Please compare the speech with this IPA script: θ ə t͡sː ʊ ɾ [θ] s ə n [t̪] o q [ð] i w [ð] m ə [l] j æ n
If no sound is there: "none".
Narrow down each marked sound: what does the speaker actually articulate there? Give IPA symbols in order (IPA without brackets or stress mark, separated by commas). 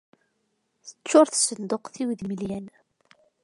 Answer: θ, d̪, θ, ð, l